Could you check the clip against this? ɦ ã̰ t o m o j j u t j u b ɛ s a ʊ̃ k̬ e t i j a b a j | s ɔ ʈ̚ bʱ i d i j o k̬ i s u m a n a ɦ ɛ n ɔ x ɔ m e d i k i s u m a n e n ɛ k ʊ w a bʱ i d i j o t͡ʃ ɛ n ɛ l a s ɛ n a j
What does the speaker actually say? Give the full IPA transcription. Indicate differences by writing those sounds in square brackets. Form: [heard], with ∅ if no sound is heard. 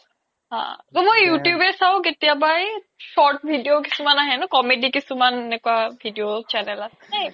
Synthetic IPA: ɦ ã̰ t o m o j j u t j u b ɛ s a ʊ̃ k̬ e t i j a b a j | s ɔ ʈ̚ bʱ i d i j o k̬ i s u m a n a ɦ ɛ n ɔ [k] ɔ m e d i k i s u m a n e n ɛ k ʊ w a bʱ i d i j o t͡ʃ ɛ n ɛ l a s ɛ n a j